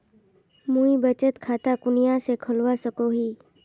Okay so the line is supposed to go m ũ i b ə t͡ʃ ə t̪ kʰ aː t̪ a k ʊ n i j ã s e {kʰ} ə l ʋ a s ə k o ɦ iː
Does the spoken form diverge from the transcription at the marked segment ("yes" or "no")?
no